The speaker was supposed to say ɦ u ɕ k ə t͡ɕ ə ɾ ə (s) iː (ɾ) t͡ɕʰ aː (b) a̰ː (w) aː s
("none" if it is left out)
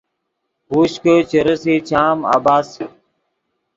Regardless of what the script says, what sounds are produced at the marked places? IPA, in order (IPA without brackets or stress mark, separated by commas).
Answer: s, none, m, b